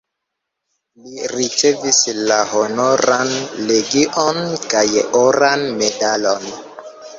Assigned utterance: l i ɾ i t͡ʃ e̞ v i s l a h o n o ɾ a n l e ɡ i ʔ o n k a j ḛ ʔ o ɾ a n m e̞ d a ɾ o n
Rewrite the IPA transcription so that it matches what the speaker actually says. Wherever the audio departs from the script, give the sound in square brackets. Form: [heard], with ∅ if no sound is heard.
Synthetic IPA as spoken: l i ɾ i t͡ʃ e̞ v i s l a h o n o ɾ a n l e ɡ i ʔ o n k a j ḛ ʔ o ɾ a n m e̞ d a [l] o n